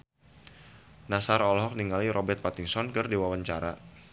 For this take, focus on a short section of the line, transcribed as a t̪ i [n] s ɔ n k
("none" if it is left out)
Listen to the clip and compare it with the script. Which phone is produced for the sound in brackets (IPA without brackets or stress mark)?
ŋ